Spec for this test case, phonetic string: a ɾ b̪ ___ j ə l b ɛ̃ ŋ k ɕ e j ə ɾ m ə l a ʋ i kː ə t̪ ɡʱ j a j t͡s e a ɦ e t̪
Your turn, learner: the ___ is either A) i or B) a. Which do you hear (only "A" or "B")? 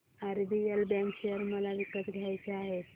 A